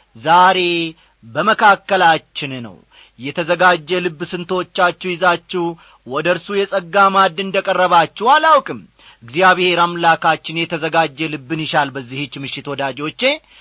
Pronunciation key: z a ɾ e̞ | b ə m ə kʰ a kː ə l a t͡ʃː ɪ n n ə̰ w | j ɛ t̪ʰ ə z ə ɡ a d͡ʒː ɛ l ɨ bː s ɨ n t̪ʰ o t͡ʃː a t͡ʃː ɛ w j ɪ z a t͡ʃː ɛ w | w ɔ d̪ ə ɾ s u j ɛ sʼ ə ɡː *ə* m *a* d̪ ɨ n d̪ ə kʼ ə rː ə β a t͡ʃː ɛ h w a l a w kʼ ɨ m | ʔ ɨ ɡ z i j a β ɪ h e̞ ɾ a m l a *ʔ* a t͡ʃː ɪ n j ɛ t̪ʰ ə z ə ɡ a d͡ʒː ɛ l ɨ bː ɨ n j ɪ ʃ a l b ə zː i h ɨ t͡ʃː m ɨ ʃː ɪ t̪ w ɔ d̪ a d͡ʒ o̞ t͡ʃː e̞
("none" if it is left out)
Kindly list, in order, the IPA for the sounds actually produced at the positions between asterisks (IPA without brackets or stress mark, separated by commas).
a, a, k